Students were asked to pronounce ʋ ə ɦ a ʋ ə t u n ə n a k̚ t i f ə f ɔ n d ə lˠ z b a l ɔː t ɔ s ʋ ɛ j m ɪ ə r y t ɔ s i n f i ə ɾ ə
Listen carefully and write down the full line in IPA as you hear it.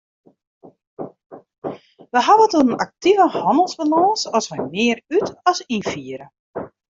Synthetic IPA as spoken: ʋ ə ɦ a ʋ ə t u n ə n a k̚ t i v ə h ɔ n d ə lˠ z b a l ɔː s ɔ s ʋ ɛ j m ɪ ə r y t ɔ s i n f i ə ɾ ə

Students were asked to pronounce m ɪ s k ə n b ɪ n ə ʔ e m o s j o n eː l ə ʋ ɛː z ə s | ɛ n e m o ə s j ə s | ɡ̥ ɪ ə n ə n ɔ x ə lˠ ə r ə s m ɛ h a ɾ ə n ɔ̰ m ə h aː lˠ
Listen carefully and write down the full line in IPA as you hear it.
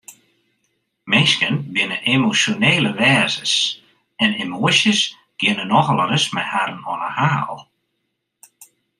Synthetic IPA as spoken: m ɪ s k ə n b ɪ n ə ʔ e m o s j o n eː l ə ʋ ɛː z ə s | ɛ n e m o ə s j ə s | ɡ̥ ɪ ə n ə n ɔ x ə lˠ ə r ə s m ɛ h a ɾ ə n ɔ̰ n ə h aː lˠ

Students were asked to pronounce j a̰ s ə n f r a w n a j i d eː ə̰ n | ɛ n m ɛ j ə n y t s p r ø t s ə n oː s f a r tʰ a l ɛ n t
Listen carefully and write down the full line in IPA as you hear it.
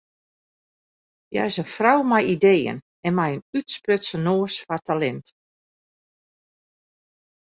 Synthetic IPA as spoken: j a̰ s ə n f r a w m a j i d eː ə̰ n | ɛ n m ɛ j ə n y t s p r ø t s ə n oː s f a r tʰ a l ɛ n t

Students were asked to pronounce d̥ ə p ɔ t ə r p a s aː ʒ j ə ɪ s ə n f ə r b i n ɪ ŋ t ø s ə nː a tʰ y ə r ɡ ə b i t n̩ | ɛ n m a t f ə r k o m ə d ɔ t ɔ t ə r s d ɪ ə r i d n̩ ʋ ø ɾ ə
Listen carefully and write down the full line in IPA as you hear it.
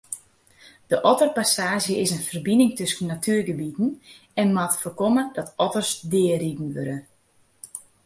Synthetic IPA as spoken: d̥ ə ʔ ɔ t ə r p a s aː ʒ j ə ɪ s ə n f ə r b i n ɪ ŋ t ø s ə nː a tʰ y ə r ɡ ə b i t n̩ | ɛ n m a t f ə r k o m ə d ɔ t ɔ t ə r s d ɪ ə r i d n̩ ʋ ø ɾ ə

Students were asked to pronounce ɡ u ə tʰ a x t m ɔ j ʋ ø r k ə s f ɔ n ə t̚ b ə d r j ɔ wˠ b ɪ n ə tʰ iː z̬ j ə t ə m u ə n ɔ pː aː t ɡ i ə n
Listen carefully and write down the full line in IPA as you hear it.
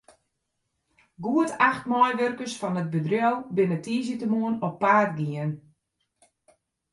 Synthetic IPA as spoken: ɡ u ə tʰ a x t m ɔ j ʋ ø r k ə s f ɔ n ə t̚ b ə d r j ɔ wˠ b ɪ n ə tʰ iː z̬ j ə t ə m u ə n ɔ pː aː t ɡ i ə n

